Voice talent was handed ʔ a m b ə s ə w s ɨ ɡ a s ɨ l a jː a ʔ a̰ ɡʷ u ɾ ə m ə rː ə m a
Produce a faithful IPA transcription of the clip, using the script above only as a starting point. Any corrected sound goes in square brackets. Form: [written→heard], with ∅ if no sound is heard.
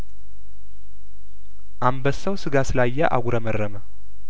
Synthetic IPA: ʔ a m b ə s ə w s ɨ ɡ a s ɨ l a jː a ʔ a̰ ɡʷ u ɾ ə m ə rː ə m [a→ə]